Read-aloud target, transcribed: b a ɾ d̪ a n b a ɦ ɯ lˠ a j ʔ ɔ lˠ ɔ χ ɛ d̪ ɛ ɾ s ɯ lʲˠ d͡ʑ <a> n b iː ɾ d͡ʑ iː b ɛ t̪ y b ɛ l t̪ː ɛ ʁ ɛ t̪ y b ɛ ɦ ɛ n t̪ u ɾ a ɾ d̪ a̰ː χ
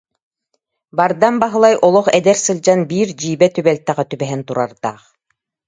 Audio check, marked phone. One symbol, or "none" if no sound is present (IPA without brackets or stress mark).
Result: a